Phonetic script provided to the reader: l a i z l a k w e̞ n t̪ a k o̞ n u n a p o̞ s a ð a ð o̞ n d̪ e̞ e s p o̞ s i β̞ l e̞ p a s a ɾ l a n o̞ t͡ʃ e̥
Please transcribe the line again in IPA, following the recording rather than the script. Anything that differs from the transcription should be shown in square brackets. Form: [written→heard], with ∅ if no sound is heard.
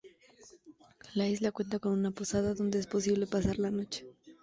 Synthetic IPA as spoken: l a i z l a k w e̞ n t̪ a k o̞ n u n a p o̞ s a ð a ð o̞ n d̪ e̞ e s p o̞ s i β̞ l e̞ p a s a ɾ l a n o̞ t͡ʃ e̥